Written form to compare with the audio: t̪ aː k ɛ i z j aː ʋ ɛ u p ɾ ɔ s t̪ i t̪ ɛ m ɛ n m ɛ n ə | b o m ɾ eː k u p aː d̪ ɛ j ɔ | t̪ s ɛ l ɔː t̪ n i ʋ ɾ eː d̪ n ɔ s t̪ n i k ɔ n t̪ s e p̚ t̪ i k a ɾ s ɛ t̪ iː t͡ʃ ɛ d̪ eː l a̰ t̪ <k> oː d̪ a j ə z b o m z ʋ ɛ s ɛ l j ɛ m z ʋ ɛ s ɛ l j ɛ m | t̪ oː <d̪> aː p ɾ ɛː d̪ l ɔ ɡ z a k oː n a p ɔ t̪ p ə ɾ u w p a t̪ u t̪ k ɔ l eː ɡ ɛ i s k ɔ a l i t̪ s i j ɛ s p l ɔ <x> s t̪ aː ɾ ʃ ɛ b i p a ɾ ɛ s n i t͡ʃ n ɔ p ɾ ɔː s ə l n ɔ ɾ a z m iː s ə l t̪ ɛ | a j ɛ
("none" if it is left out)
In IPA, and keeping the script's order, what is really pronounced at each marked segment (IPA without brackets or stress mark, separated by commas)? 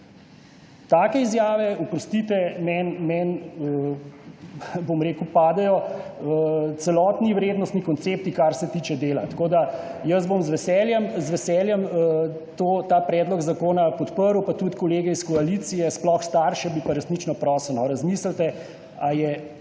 k, t̪, x